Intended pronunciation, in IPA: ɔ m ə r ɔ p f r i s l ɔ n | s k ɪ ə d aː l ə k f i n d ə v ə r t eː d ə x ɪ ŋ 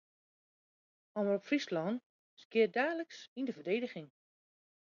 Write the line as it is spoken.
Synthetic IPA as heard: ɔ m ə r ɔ p f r i s l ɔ n | s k ɪ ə d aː l ə k s i n d ə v ə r d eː d ə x ɪ ŋ